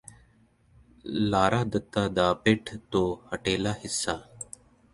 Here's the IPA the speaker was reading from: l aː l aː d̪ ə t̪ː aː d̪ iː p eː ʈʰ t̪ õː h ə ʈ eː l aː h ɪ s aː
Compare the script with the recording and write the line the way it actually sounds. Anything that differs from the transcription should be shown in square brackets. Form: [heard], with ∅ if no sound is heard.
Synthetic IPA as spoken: l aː [ɾ] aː d̪ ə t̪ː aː d̪ [aː] p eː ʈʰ t̪ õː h ə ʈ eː l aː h ɪ [sː] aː

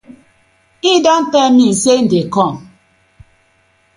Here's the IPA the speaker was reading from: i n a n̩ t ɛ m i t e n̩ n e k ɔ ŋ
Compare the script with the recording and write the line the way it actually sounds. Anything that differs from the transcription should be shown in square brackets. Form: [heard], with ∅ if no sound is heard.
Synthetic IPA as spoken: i [d] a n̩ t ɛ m i [s] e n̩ [d] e k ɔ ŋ

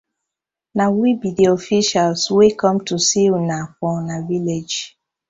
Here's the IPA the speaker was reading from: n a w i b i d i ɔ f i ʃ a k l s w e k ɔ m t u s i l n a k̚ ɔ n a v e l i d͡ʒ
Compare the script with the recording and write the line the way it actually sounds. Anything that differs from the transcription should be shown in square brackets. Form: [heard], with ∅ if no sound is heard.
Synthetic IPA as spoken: n a w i b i d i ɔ f i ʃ a [∅] l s w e k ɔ m t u s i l n a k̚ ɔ n a v [i] l [e] d͡ʒ

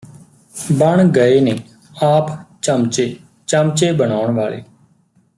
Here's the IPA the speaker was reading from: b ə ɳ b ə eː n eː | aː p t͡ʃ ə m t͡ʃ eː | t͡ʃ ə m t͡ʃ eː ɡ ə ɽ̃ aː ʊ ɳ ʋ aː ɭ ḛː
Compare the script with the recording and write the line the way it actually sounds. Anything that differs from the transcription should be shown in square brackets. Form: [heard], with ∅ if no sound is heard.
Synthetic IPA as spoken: b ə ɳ [ɡ] ə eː n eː | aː p t͡ʃ ə m t͡ʃ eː | t͡ʃ ə m t͡ʃ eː [b] ə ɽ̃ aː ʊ ɳ ʋ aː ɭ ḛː

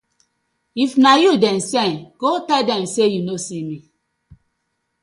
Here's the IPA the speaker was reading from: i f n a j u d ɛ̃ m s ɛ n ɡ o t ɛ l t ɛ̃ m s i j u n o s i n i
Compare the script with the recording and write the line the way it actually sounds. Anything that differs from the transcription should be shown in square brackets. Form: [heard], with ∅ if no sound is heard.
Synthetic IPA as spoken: i f n a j u d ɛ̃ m s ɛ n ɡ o t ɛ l [d] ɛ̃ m s [e] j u n o s i [m] i

